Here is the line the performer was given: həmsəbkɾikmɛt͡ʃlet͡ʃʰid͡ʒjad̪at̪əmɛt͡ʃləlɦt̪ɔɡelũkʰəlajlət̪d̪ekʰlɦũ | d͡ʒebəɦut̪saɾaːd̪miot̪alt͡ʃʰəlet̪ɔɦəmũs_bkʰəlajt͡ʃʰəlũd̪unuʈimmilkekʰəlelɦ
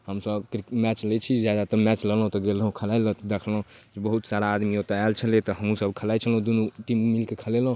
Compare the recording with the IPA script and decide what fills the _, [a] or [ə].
ə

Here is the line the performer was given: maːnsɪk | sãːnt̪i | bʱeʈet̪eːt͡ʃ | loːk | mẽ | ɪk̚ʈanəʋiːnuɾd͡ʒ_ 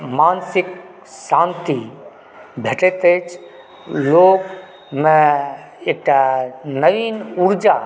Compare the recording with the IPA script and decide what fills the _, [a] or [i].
a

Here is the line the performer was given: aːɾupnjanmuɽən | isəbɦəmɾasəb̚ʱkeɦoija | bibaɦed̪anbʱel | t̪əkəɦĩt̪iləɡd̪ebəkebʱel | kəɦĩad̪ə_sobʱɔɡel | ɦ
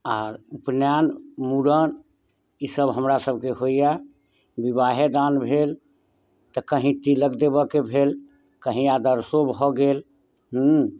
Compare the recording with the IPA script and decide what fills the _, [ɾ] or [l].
ɾ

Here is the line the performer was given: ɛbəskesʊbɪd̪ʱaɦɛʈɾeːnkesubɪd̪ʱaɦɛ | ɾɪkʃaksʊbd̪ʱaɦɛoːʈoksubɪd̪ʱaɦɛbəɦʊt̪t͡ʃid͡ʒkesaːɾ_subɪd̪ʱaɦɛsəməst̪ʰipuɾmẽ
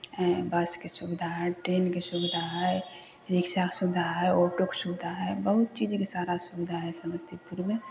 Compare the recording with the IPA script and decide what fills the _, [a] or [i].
a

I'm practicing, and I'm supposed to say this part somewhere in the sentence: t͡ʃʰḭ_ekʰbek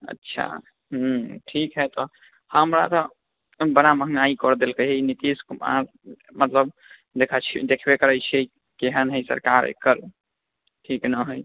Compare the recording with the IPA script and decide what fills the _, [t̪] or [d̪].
d̪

